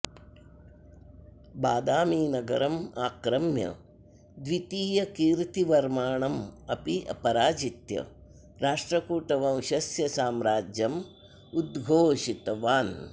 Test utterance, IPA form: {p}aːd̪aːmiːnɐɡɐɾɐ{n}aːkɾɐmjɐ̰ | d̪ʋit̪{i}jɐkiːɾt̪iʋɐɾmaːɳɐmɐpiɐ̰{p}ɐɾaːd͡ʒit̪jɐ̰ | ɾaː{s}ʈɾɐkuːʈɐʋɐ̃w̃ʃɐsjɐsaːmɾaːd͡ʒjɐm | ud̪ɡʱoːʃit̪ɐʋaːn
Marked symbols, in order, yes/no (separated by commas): no, no, no, yes, no